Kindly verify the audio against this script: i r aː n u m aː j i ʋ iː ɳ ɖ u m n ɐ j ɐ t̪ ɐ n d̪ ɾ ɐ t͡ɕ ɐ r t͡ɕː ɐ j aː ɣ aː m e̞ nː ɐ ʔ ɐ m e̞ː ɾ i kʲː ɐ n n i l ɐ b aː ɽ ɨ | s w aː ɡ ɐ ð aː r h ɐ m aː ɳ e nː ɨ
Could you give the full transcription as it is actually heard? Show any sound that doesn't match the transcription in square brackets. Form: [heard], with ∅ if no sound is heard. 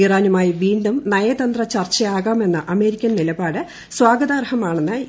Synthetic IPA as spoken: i r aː n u m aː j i ʋ iː ɳ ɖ u m n ɐ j ɐ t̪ ɐ n d̪ [r] ɐ t͡ɕ ɐ r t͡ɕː ɐ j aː ɣ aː m e̞ nː ɐ ʔ ɐ m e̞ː ɾ i kʲː ɐ n n i l ɐ b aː ɽ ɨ | s w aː ɡ ɐ ð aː r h ɐ m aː ɳ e nː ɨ

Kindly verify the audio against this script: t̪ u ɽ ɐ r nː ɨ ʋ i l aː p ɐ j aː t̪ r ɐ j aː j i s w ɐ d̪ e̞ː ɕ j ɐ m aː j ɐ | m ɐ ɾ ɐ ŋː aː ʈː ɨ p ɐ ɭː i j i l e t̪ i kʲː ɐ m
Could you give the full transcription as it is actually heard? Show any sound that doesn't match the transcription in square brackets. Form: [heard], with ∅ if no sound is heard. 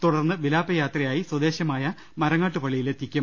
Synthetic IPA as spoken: t̪ u ɽ ɐ r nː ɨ ʋ i l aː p ɐ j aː t̪ r ɐ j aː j i s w ɐ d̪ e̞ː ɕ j ɐ m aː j ɐ | m ɐ ɾ ɐ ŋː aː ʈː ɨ p ɐ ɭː i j i l e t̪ i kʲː ɐ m

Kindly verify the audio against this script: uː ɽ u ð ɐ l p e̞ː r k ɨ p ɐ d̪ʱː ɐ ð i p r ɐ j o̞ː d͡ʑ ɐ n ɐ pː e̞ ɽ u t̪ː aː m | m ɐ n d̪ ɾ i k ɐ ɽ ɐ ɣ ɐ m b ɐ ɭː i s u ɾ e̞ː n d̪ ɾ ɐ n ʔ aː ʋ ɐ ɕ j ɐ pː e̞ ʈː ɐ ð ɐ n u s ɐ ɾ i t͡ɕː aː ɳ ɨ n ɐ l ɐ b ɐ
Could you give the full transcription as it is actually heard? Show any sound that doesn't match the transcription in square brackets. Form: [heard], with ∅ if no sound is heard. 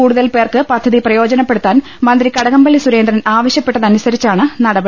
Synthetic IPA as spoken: uː ɽ u ð ɐ l p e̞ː r k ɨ p ɐ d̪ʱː ɐ ð i p r ɐ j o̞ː d͡ʑ ɐ n ɐ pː e̞ ɽ u t̪ː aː [n] | m ɐ n d̪ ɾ i k ɐ ɽ ɐ ɣ ɐ m b ɐ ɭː i s u ɾ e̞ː n d̪ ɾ ɐ n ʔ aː ʋ ɐ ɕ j ɐ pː e̞ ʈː ɐ ð ɐ n u s ɐ ɾ i t͡ɕː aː ɳ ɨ n ɐ [ɽ] ɐ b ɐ

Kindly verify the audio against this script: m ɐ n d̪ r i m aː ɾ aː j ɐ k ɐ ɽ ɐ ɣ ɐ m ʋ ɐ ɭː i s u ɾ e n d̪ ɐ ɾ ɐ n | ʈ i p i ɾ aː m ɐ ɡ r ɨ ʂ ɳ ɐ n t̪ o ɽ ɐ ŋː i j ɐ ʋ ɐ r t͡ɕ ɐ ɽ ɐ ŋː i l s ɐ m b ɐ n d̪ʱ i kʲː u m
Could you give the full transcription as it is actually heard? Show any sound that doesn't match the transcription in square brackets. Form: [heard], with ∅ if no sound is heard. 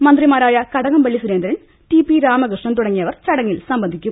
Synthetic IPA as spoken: m ɐ n d̪ r i m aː ɾ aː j ɐ k ɐ ɽ ɐ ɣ ɐ m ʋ ɐ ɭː i s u ɾ e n d̪ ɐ ɾ ɐ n | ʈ i p i ɾ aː m ɐ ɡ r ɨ ʂ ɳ ɐ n t̪ [u] ɽ ɐ ŋː i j ɐ ʋ ɐ r t͡ɕ ɐ ɽ ɐ ŋː i l s ɐ m b ɐ n d̪ʱ i kʲː u m

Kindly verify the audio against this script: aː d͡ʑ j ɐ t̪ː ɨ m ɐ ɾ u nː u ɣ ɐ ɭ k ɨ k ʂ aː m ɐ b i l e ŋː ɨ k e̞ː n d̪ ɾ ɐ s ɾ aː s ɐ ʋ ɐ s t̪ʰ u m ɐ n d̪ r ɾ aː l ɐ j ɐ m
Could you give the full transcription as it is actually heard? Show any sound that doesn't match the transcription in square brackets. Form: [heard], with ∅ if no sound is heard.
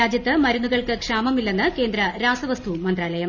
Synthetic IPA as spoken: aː d͡ʑ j ɐ t̪ː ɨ m ɐ ɾ u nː u ɣ ɐ ɭ k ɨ k ʂ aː m ɐ [m] i [lː] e [nː] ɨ k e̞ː n d̪ ɾ ɐ [∅] ɾ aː s ɐ ʋ ɐ s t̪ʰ u m ɐ n d̪ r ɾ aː l ɐ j ɐ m

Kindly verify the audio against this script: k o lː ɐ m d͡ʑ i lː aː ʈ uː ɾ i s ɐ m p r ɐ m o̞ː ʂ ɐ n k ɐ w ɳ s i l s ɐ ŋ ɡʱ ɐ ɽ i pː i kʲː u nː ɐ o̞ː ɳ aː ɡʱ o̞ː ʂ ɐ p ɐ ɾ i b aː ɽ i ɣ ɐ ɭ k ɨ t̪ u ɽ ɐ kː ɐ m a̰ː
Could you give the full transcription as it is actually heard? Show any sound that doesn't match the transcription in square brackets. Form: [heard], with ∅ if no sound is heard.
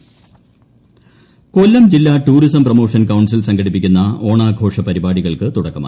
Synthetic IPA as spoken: k o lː ɐ m d͡ʑ i lː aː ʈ uː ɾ i s ɐ m p r ɐ m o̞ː ʂ ɐ n k ɐ w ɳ s i l s ɐ ŋ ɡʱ ɐ ɽ i pː i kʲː u nː ɐ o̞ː ɳ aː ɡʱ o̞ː ʂ ɐ p ɐ ɾ i b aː ɽ i ɣ ɐ ɭ k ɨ t̪ u ɽ ɐ kː ɐ m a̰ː

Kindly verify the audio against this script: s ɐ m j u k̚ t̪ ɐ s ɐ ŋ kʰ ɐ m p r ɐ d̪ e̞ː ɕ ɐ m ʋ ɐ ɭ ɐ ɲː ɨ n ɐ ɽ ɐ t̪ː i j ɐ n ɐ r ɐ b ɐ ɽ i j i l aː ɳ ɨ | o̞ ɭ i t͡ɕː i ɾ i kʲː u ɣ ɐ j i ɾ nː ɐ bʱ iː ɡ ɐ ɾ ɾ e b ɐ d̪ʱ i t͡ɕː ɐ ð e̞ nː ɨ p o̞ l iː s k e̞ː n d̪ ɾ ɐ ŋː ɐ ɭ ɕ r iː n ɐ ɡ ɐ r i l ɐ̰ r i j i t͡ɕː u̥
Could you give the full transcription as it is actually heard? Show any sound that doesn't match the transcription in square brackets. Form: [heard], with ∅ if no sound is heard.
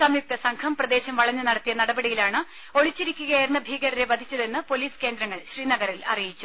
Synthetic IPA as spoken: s ɐ m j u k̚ t̪ ɐ s ɐ ŋ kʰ ɐ m p r ɐ d̪ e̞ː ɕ ɐ m ʋ ɐ ɭ ɐ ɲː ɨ n ɐ ɽ ɐ t̪ː i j ɐ n ɐ [ɽ] ɐ b ɐ ɽ i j i l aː ɳ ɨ | o̞ ɭ i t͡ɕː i ɾ i kʲː u ɣ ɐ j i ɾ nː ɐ bʱ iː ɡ ɐ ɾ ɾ e b ɐ d̪ʱ i t͡ɕː ɐ ð e̞ nː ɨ p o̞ l iː s k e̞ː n d̪ ɾ ɐ ŋː ɐ ɭ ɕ r iː n ɐ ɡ ɐ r i l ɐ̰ r i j i t͡ɕː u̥

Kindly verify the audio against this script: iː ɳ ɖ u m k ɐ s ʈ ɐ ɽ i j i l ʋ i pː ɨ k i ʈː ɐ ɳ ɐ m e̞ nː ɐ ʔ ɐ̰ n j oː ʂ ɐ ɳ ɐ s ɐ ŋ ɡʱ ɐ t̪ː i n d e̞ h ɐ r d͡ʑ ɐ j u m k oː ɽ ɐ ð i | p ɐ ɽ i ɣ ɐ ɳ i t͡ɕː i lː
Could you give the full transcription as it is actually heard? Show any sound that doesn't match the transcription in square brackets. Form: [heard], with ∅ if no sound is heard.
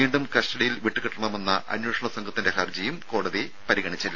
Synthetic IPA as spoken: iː ɳ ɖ u m k ɐ s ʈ ɐ ɽ i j i l ʋ i [ʈː] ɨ k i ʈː ɐ ɳ ɐ m e̞ nː ɐ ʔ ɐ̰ n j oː ʂ ɐ ɳ ɐ s ɐ ŋ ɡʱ ɐ t̪ː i n d e̞ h ɐ r d͡ʑ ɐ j u m k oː ɽ ɐ ð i | p ɐ [ɾ] i ɣ ɐ ɳ i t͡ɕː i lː

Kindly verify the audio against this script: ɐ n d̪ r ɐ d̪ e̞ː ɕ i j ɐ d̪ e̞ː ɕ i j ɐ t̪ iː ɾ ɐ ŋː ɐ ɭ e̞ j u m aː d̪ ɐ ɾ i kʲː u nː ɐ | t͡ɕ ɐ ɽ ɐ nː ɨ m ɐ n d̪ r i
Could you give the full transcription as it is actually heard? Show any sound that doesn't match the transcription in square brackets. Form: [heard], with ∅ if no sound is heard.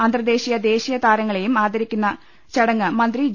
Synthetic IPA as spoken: ɐ n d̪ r ɐ d̪ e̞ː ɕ i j ɐ d̪ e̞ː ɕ i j ɐ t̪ [aː] ɾ ɐ ŋː ɐ ɭ e̞ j u m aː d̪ ɐ ɾ i kʲː u nː ɐ | t͡ɕ ɐ ɽ ɐ [ŋː] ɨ m ɐ n d̪ r i

